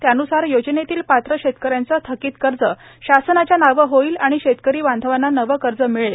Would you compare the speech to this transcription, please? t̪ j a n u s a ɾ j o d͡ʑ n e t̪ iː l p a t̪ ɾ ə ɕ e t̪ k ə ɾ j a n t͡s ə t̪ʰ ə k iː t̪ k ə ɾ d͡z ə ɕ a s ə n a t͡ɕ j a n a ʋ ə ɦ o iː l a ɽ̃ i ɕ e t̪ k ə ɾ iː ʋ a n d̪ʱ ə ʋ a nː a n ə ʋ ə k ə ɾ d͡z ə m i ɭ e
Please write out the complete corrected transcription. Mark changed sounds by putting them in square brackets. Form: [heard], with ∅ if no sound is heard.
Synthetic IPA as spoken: t̪ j a n u s a ɾ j o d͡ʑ n e t̪ iː l p a t̪ ɾ ə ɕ e t̪ k ə ɾ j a n t͡s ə t̪ʰ ə k iː t̪ k ə ɾ d͡z ə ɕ a s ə n a t͡ɕ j a n a ʋ ə ɦ o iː l a ɽ̃ i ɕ e t̪ k ə ɾ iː ʋ a n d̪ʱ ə ʋ a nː a n ə ʋ ə k ə ɾ d͡z ə m i ɭ e